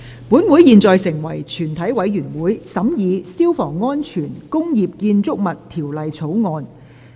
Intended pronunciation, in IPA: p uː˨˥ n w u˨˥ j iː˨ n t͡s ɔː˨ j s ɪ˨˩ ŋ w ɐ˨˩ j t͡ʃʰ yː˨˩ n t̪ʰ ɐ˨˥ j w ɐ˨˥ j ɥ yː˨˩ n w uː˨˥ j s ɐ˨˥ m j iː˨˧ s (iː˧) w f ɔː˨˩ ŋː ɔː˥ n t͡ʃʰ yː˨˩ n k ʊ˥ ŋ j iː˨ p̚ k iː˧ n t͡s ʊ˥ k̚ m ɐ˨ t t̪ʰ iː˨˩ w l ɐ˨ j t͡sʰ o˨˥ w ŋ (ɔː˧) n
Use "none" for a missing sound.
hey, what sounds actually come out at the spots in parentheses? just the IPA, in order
iː˥, ɔː˧

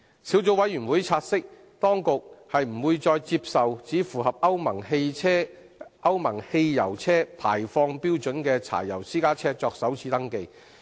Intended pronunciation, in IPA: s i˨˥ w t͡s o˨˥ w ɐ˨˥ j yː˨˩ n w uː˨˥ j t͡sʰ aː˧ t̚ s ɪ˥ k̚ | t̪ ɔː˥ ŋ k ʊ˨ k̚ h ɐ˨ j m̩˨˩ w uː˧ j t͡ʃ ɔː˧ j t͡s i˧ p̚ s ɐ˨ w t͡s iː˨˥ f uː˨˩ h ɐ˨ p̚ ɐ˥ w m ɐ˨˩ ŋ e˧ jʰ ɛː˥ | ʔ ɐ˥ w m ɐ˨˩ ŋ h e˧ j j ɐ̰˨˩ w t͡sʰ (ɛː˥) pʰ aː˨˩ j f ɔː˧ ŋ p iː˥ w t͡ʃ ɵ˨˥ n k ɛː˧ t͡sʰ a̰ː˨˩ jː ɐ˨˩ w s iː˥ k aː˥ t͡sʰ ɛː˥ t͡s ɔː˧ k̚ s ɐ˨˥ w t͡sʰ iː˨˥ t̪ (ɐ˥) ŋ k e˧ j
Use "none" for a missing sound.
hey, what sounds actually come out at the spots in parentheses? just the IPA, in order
ɛː˥, ɐ˥

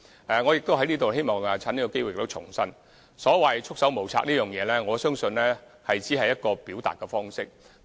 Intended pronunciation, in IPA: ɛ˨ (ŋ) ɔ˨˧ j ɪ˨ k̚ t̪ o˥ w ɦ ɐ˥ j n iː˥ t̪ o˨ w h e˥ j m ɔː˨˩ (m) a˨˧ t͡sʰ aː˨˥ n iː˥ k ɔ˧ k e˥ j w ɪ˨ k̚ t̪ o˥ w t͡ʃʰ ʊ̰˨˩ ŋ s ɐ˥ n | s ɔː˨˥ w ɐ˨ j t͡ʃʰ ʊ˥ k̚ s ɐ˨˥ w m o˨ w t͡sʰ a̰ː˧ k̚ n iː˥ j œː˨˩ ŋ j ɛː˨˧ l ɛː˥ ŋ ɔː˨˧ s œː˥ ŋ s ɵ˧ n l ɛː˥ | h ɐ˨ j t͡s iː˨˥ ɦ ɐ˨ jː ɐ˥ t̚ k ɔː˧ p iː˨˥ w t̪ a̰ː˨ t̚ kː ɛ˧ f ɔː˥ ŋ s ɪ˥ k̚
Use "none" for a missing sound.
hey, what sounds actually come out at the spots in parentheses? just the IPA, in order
ŋ, ŋ

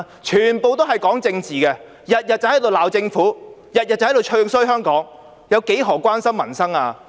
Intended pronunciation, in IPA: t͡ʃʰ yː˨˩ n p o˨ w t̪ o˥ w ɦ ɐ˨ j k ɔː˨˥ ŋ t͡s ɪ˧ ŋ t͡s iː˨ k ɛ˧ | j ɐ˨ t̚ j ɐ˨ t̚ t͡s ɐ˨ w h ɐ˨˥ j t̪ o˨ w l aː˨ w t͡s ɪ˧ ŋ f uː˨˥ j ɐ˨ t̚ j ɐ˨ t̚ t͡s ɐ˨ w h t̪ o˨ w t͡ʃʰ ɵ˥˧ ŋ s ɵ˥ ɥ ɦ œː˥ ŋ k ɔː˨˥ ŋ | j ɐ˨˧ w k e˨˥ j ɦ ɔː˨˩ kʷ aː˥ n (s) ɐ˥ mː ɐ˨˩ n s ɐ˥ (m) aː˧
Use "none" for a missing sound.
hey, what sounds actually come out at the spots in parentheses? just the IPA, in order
s, ŋ

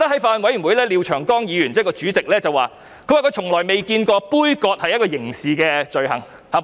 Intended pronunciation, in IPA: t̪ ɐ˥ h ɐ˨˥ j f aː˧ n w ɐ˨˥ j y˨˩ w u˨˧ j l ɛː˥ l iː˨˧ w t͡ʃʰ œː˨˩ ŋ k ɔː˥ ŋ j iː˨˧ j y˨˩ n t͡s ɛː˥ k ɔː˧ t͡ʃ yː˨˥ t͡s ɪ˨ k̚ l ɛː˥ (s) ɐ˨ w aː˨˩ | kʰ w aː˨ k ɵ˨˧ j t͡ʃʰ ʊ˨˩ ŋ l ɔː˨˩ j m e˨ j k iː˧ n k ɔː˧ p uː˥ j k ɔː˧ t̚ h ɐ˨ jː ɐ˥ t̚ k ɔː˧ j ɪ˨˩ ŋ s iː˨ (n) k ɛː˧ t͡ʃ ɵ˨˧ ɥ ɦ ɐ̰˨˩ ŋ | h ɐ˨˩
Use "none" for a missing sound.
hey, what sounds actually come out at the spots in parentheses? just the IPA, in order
t͡s, none

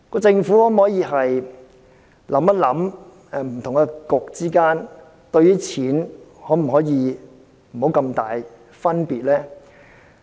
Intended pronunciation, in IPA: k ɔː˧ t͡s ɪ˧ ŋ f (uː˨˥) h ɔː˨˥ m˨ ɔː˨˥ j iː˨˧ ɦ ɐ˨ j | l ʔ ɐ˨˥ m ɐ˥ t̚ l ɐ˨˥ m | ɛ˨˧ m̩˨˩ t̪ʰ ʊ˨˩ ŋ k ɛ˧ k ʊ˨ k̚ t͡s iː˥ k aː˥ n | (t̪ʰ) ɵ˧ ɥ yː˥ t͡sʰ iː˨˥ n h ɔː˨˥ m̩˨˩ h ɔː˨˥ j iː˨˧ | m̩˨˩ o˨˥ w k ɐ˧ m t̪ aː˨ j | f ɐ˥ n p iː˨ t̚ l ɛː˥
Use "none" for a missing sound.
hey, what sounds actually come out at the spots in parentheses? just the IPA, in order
u˨˥, t̪

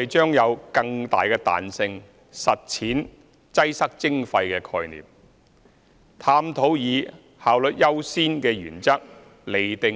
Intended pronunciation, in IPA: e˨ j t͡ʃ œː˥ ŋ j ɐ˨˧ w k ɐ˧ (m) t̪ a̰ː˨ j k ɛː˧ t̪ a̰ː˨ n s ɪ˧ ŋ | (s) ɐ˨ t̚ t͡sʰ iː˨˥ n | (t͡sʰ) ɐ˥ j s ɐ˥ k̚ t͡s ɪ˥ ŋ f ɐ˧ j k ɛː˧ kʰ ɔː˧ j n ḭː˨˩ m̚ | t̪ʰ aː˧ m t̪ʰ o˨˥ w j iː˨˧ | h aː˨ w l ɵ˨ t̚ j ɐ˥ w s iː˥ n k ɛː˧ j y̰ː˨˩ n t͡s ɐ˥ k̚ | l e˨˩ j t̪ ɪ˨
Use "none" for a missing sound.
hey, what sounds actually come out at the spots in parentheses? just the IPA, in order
ŋ, s, t͡s

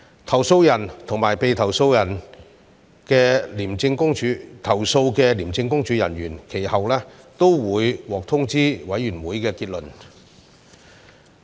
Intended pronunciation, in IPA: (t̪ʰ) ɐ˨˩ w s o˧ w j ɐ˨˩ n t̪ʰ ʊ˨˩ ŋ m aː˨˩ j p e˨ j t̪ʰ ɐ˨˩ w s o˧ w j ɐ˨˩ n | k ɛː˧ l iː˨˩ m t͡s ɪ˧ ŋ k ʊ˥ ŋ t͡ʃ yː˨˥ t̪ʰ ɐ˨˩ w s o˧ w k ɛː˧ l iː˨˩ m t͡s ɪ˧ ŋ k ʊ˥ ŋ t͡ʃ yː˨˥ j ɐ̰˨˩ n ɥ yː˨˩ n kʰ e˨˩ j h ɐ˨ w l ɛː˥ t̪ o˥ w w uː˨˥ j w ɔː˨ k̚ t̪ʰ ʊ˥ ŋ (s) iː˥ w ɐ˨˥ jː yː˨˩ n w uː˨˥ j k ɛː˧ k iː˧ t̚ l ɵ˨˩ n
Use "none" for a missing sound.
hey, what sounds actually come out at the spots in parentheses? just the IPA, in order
t̪ʰ, t͡s

